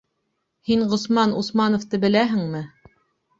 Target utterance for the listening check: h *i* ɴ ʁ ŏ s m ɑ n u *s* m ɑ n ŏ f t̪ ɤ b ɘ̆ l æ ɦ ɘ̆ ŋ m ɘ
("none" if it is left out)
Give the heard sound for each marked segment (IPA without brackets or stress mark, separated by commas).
i, s